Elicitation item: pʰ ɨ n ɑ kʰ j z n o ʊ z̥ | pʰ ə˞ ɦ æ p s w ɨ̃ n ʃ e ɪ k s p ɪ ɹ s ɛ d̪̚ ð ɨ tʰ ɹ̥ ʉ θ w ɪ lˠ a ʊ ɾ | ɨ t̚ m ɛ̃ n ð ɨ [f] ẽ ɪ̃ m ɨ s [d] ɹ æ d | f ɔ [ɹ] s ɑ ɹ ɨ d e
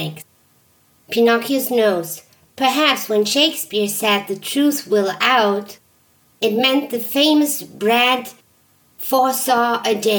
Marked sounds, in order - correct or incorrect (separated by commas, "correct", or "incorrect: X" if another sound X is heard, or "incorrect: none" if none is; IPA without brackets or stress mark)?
correct, incorrect: b, correct